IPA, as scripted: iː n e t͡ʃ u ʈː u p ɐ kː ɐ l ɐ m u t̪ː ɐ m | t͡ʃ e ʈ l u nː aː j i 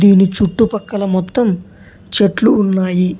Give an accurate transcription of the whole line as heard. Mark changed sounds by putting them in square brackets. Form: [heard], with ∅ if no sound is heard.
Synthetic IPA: iː n [i] t͡ʃ u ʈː u p ɐ kː ɐ l ɐ m [ɔ] t̪ː ɐ m | t͡ʃ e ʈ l [uː] nː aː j i